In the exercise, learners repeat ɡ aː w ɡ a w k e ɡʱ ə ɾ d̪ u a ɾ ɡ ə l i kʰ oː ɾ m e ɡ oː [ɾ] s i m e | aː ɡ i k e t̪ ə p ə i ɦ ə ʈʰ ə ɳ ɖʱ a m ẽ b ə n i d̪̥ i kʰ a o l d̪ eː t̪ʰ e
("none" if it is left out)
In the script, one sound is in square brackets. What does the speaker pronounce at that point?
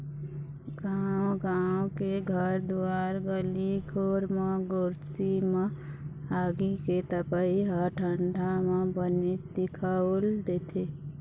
ɾ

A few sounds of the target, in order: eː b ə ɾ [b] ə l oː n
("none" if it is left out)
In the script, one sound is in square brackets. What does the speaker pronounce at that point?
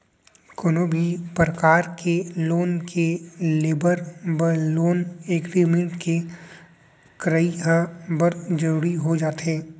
b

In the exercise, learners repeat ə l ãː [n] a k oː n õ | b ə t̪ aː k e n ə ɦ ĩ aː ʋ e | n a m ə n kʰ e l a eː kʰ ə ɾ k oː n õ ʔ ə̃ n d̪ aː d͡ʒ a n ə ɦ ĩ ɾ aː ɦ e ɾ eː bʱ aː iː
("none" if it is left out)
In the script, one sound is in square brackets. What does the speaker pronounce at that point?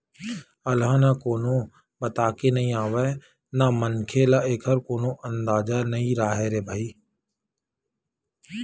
n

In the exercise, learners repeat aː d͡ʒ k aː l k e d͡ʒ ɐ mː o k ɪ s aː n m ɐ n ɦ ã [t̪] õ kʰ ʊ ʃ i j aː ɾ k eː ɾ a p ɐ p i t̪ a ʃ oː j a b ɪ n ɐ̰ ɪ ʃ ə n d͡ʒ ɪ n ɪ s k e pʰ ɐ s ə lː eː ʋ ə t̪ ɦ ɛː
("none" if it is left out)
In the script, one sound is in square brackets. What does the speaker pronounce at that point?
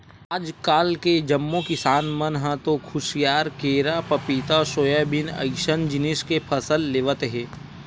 t̪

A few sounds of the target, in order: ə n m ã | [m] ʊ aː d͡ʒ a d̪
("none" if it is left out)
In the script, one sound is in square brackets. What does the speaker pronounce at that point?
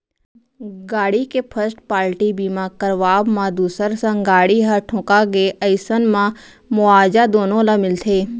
m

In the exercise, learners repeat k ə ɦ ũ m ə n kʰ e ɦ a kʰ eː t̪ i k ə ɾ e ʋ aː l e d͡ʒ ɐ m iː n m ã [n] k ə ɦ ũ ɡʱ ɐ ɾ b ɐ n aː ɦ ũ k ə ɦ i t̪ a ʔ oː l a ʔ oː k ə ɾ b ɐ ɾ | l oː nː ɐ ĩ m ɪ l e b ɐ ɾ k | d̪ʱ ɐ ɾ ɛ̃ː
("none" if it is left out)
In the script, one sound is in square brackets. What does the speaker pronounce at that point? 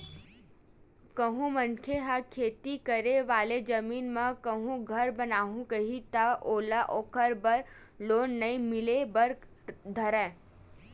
none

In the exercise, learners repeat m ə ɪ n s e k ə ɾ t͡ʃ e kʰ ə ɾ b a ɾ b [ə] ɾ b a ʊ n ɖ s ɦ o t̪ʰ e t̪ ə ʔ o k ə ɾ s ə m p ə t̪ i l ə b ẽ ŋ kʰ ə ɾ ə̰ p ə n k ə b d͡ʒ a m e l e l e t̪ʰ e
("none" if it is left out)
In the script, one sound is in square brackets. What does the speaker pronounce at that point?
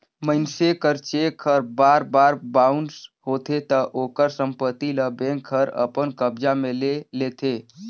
a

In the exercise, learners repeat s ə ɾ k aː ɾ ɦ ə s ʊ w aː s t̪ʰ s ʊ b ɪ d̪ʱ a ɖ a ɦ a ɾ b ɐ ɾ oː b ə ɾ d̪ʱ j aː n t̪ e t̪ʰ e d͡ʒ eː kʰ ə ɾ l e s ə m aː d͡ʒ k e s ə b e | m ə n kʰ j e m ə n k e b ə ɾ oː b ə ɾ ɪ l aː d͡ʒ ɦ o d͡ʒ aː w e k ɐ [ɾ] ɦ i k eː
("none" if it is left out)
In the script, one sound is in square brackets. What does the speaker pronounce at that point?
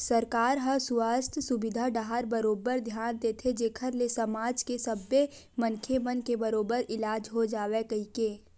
none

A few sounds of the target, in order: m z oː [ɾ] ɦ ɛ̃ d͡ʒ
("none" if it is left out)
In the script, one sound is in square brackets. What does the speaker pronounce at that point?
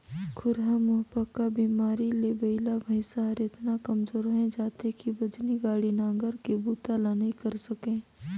ɾ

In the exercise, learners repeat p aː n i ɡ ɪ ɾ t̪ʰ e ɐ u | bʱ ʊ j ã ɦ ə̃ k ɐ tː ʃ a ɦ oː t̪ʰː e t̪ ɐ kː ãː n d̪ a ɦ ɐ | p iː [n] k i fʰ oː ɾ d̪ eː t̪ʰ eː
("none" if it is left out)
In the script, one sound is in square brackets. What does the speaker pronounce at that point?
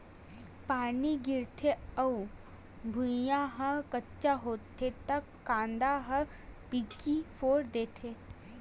none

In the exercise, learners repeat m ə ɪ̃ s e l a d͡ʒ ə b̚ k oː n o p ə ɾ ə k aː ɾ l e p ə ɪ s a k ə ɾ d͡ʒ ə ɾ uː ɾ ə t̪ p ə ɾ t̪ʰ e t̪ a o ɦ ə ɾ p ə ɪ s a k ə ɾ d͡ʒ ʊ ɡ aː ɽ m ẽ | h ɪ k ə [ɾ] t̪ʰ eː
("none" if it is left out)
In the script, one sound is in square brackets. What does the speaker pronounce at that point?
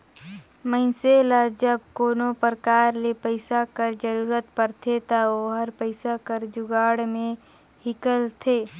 l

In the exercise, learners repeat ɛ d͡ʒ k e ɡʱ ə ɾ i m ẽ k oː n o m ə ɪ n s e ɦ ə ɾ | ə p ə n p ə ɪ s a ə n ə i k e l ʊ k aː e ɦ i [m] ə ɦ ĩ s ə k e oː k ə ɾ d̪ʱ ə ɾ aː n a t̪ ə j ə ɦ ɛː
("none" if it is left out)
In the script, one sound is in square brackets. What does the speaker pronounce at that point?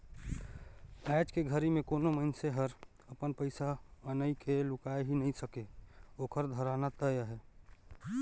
n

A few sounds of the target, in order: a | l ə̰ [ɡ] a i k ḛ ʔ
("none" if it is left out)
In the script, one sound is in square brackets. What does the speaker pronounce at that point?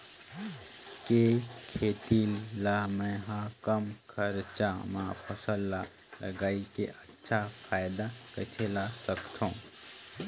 ɡ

